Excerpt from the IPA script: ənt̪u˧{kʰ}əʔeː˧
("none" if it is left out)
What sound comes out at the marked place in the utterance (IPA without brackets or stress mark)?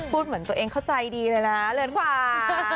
none